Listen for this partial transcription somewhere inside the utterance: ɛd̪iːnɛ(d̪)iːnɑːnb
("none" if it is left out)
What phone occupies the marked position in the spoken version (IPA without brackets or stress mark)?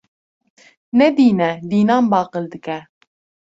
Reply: d̪